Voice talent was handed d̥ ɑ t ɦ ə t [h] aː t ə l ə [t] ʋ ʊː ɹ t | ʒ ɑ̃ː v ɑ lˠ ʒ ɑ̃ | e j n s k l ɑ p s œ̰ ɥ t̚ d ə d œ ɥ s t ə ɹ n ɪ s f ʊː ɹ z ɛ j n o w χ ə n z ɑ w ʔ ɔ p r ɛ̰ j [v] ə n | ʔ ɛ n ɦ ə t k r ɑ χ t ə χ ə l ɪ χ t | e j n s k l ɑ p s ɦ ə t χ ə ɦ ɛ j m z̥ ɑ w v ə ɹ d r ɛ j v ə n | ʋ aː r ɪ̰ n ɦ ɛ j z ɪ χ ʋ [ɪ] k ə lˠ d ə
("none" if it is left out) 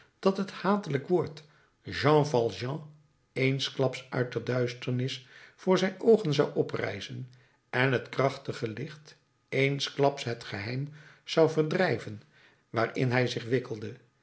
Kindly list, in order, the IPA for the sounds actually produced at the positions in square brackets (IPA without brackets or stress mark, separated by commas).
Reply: h, k, z, ɪ